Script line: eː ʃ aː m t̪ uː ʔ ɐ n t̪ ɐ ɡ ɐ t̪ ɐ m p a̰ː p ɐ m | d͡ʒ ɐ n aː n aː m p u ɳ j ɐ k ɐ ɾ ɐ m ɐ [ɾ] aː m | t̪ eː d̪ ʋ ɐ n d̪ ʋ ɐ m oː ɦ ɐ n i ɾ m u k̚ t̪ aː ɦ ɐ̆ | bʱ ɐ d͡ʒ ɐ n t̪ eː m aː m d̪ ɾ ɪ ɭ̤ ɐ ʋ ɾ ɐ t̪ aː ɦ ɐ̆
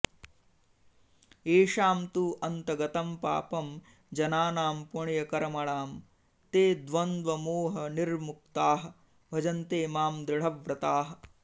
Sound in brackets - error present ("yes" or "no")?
yes